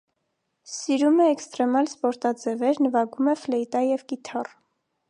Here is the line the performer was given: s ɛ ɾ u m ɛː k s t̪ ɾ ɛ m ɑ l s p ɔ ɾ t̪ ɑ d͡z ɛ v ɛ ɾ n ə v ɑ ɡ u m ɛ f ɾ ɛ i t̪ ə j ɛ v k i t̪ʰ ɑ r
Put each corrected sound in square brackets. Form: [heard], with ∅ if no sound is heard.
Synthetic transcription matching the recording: s [i] ɾ u m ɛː k s t̪ ɾ ɛ m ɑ l s p ɔ ɾ t̪ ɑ d͡z ɛ v ɛ ɾ n ə v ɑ ɡ u m ɛ f [l] ɛ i t̪ [ɑ] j ɛ v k i t̪ʰ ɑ r